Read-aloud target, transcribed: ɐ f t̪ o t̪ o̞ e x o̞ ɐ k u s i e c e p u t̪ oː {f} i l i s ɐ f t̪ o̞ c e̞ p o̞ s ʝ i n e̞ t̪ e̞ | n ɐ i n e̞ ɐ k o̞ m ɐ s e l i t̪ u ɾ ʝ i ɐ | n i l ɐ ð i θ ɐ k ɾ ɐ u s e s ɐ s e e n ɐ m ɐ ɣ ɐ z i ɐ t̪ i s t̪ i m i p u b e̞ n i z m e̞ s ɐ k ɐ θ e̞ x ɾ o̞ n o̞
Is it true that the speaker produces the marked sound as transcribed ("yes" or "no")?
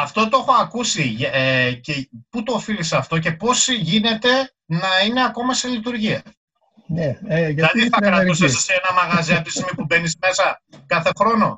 yes